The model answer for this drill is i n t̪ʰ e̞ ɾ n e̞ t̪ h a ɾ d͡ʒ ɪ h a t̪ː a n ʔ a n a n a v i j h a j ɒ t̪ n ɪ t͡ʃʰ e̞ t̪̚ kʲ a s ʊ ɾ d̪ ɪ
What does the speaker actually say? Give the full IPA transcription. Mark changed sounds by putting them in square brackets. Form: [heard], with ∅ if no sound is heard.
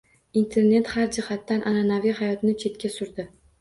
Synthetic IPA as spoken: i n t̪ʰ e̞ ɾ n e̞ t̪ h a ɾ d͡ʒ ɪ h a t̪ː a n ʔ a n a n a v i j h a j ɒ t̪ n ɪ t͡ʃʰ e̞ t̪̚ kʲ a s ʊ ɾ d̪ ɪ